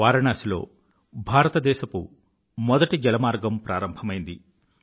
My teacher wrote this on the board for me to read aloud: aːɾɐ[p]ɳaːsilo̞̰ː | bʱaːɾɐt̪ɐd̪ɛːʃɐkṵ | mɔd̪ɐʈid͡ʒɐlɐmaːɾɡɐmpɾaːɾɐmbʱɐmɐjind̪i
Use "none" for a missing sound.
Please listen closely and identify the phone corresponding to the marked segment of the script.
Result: none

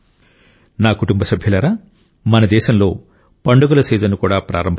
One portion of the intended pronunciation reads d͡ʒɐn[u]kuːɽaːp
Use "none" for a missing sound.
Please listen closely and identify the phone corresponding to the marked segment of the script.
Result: u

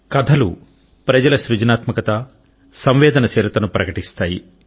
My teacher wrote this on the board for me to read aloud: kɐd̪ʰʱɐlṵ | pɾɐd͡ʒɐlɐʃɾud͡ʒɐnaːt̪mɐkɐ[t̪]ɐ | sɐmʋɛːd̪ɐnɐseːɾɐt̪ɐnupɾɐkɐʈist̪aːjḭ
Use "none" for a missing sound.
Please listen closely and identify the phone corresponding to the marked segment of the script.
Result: t̪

